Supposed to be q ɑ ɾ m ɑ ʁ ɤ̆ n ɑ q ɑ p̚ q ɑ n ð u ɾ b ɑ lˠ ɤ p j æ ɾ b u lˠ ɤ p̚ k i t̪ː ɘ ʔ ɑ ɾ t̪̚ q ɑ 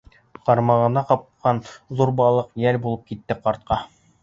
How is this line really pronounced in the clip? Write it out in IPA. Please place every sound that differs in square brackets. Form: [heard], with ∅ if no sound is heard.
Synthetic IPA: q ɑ ɾ m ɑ ʁ ɤ̆ n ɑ q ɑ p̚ q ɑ n ð u ɾ b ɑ lˠ ɤ [q] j æ [l] b u lˠ ɤ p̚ k i t̪ː ɘ [q] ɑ ɾ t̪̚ q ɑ